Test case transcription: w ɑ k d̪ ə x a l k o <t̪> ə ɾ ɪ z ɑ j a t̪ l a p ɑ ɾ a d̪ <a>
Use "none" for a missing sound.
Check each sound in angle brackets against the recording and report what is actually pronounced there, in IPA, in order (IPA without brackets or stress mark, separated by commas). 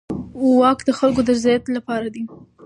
d̪, i